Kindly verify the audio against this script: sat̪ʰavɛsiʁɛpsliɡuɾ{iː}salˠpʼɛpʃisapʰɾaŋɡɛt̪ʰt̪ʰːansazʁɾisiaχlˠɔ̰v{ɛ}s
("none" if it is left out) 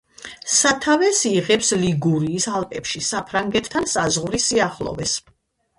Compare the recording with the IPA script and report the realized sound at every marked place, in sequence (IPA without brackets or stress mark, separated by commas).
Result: iː, ɛ